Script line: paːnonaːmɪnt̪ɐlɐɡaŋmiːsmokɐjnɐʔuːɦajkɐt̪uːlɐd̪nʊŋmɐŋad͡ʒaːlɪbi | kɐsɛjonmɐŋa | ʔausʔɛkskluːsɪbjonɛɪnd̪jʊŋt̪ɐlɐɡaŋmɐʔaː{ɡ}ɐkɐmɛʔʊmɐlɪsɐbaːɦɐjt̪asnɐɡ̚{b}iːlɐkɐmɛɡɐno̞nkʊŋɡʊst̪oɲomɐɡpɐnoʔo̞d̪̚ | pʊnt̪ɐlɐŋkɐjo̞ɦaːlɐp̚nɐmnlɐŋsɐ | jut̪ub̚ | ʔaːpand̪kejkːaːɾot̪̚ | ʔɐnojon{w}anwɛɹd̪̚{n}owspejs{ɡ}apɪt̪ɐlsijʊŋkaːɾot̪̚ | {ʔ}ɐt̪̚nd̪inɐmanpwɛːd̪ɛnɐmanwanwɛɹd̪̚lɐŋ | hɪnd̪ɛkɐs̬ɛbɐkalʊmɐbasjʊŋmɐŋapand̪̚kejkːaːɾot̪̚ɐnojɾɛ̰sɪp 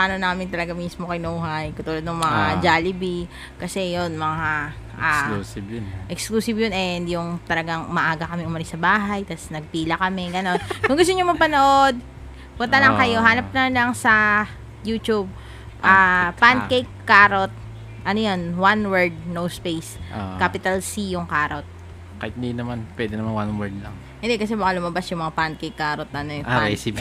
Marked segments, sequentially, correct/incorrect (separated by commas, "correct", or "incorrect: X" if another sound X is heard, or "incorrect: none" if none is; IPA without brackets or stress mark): correct, incorrect: p, correct, correct, incorrect: k, incorrect: k